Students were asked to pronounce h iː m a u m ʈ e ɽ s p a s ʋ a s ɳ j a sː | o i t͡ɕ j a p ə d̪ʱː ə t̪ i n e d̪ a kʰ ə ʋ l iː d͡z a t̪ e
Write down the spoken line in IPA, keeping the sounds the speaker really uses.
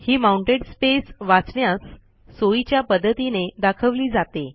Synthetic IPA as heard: h iː m a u ɳ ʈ e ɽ s p e s ʋ a t͡s ɳ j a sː | o i t͡ɕ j a p ə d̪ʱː ə t̪ i n e d̪ a kʰ ə ʋ l iː d͡z a t̪ e